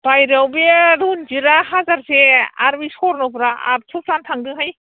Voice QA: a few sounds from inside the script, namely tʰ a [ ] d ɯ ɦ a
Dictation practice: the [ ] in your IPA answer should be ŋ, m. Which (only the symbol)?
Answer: ŋ